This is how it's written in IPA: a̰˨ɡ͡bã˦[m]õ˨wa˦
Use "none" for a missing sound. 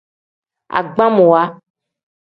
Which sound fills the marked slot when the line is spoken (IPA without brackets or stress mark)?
m